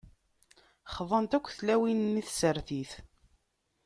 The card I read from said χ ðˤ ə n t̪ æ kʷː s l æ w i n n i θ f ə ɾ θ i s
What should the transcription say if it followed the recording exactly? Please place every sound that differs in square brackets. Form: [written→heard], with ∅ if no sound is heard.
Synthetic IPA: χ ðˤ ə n t̪ æ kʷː [s→θ] l æ w i n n i θ [f→s] ə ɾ θ i [s→θ]